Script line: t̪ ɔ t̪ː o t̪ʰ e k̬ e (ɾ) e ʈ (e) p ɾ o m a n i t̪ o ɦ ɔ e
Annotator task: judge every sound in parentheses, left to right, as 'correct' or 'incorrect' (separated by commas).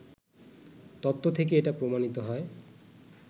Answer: incorrect, incorrect